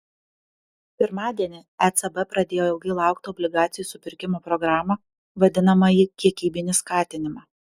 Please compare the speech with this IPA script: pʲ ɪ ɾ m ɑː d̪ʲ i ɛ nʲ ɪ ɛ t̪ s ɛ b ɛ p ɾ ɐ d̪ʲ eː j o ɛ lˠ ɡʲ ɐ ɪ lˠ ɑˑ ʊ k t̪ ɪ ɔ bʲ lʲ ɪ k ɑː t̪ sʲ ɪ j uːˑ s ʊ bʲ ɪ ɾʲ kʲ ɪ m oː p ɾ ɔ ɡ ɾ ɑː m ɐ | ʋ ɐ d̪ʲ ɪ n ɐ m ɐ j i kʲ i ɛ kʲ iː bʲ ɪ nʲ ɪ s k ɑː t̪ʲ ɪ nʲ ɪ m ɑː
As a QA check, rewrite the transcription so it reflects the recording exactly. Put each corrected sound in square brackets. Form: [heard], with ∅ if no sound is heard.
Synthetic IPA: pʲ ɪ ɾ m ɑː d̪ʲ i ɛ nʲ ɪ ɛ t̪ s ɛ b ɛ p ɾ ɐ d̪ʲ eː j o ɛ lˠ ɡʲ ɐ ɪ lˠ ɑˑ ʊ k t̪ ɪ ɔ bʲ lʲ ɪ [ɡ] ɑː t̪ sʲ ɪ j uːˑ s ʊ [pʲ] ɪ ɾʲ kʲ ɪ m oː p ɾ ɔ ɡ ɾ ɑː m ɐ | ʋ ɐ d̪ʲ ɪ n ɐ m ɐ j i kʲ i ɛ kʲ iː bʲ ɪ nʲ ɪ s k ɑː t̪ʲ ɪ nʲ ɪ m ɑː